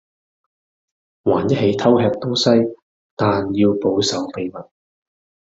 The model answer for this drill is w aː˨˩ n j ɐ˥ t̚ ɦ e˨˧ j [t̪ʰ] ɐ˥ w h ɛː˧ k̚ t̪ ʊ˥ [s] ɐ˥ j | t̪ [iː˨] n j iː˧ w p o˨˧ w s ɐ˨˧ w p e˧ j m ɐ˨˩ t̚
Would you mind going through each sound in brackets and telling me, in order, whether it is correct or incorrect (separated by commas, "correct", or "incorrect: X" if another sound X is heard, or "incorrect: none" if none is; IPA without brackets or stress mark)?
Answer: correct, correct, incorrect: aː˨